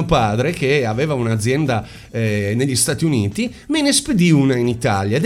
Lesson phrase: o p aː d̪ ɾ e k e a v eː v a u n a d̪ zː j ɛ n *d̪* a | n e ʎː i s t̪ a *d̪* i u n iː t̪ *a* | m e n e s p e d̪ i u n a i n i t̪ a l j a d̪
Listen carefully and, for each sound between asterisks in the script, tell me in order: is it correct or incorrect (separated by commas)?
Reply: correct, incorrect, incorrect